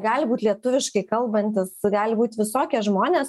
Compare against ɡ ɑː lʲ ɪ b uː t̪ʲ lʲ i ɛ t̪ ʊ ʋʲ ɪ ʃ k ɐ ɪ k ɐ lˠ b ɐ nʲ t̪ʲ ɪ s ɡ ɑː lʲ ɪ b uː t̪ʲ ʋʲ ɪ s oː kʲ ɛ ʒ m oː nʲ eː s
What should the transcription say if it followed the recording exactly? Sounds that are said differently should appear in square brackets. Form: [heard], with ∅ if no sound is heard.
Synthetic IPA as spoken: ɡ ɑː lʲ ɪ b uː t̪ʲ lʲ i ɛ t̪ ʊ ʋʲ ɪ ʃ k ɐ ɪ k ɐ lˠ b ɐ nʲ t̪ʲ ɪ s ɡ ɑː lʲ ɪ b uː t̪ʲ ʋʲ ɪ s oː kʲ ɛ ʒ m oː nʲ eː s